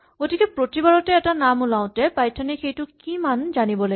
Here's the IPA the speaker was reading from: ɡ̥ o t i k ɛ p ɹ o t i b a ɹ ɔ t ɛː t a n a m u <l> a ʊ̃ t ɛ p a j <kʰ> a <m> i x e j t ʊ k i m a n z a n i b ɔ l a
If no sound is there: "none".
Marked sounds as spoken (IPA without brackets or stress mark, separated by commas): l, tʰ, n